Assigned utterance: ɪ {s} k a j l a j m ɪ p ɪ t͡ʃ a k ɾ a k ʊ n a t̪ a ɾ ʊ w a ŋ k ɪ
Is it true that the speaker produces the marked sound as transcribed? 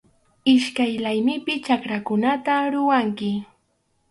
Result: no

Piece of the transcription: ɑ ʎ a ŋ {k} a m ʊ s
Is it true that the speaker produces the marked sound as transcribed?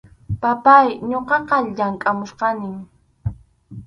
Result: no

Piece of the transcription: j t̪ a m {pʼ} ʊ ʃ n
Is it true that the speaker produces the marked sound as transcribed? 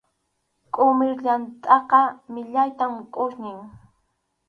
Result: no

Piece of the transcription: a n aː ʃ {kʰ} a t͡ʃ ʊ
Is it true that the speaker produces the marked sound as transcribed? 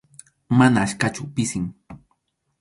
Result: no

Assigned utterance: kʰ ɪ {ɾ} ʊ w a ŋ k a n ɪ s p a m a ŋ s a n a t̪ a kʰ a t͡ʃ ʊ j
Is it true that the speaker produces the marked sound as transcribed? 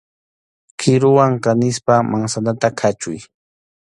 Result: yes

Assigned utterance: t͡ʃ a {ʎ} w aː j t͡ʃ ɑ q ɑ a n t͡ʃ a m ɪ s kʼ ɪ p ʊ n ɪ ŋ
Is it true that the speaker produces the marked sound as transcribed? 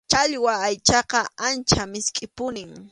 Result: yes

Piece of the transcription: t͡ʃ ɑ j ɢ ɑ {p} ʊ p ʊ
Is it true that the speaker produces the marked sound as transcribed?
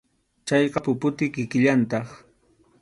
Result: yes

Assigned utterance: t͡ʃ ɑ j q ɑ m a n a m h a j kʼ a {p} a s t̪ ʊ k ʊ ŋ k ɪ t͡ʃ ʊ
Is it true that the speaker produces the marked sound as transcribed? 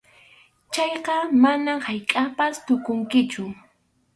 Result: yes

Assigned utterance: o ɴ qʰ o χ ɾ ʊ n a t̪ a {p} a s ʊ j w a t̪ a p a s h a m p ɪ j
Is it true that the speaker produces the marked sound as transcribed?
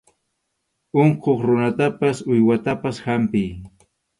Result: yes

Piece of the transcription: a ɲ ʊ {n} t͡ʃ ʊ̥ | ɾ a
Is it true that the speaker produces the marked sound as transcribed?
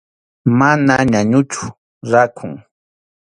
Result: no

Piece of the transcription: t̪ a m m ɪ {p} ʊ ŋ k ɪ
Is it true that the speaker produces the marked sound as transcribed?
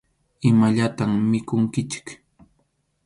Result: no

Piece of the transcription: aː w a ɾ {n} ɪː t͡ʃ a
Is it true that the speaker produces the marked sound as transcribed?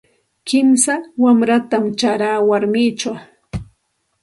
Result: no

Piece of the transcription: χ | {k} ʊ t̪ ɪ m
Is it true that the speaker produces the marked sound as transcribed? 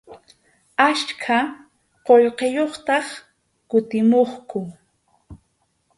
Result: yes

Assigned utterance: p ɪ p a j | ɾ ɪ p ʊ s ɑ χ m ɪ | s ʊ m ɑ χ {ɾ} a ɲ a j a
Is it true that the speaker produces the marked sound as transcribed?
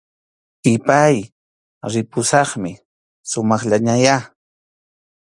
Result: no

